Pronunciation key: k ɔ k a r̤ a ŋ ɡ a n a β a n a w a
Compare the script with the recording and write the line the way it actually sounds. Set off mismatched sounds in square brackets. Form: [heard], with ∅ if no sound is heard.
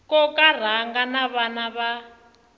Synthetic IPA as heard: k ɔ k a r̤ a ŋ ɡ a n a β a n a [β] a